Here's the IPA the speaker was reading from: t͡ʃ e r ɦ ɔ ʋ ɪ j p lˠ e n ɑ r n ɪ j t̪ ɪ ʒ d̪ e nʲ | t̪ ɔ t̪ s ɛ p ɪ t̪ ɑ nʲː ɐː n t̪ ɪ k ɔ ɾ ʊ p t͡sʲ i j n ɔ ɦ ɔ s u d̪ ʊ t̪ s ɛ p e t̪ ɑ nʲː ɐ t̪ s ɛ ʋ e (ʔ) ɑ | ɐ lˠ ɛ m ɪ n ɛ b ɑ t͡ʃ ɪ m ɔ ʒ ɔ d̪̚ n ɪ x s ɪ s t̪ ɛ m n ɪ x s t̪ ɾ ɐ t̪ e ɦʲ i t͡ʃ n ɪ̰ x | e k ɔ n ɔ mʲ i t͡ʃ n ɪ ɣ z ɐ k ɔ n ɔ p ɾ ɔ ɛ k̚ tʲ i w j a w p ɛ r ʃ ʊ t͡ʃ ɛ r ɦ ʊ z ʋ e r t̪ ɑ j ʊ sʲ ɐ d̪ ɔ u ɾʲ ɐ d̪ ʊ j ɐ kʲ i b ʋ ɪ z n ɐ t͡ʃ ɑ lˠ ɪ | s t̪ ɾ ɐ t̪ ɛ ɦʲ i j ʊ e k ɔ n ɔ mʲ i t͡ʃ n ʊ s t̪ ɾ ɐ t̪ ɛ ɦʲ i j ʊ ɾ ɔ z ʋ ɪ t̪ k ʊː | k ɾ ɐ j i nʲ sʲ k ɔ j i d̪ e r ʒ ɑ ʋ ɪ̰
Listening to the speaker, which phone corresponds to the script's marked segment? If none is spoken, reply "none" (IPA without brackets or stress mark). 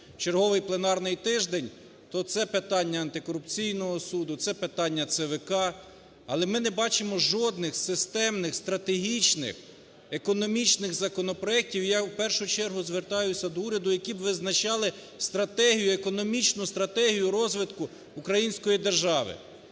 k